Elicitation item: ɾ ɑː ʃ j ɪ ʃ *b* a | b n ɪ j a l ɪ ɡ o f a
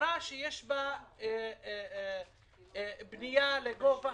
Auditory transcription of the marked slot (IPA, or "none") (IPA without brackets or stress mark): b